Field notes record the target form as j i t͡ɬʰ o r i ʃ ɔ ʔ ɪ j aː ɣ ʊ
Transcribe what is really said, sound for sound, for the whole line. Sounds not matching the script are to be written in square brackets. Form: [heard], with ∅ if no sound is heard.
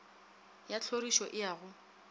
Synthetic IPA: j [a] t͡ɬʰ o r i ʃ ɔ ʔ ɪ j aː ɣ ʊ